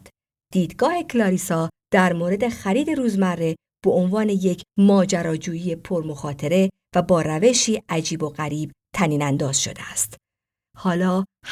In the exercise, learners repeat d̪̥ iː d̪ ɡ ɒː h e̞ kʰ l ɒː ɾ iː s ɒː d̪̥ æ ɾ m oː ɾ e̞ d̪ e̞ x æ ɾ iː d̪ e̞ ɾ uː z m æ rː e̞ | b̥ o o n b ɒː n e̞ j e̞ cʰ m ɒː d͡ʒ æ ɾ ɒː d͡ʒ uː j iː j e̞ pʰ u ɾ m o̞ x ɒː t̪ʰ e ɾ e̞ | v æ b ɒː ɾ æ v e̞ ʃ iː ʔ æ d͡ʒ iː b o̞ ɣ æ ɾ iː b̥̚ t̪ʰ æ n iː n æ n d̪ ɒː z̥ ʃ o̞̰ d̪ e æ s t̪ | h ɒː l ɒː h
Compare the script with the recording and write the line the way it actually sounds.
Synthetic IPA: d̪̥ iː d̪ ɡ ɒː h e̞ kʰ l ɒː ɾ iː s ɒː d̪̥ æ ɾ m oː ɾ e̞ d̪ e̞ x æ ɾ iː d̪ e̞ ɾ uː z m æ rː e̞ | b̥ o o n v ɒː n e̞ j e̞ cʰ m ɒː d͡ʒ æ ɾ ɒː d͡ʒ uː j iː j e̞ pʰ o ɾ m o̞ x ɒː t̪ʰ e ɾ e̞ | v æ b ɒː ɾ æ v e̞ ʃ iː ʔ æ d͡ʒ iː b o̞ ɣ æ ɾ iː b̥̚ t̪ʰ æ n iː n æ n d̪ ɒː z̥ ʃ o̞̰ d̪ e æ s t̪ | h ɒː l ɒː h